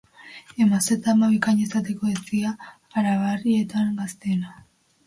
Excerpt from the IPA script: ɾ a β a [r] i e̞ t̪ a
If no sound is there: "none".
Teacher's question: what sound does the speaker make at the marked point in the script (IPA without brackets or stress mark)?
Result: r